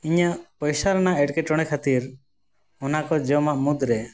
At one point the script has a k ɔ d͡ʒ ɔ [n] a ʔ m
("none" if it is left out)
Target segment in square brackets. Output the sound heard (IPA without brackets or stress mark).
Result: m